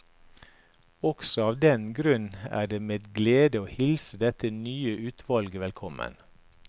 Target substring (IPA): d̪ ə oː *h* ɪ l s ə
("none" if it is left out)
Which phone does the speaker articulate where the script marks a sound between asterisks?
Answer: h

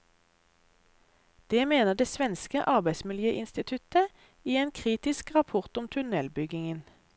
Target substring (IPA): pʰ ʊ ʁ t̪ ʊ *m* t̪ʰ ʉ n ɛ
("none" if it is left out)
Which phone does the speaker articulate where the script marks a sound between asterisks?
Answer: m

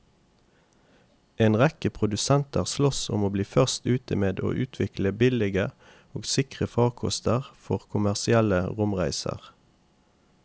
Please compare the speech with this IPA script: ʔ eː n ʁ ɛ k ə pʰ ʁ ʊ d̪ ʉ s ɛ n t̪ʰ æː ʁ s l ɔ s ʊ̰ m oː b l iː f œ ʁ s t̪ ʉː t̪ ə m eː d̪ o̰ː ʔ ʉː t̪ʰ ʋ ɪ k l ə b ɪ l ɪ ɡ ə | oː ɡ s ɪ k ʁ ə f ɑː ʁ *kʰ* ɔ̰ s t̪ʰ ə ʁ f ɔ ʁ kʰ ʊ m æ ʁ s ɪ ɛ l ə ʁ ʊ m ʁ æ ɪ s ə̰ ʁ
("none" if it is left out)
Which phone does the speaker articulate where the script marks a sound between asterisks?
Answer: kʰ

